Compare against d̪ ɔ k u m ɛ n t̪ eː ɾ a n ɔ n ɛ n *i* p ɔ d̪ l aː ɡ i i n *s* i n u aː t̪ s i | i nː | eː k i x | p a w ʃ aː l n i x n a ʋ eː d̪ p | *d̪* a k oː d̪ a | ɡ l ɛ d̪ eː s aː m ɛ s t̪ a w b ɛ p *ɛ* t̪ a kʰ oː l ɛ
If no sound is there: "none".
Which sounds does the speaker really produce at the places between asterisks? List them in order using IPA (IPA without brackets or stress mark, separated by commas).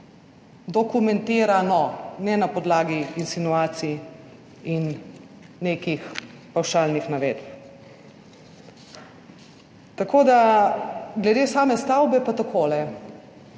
a, s, t̪, a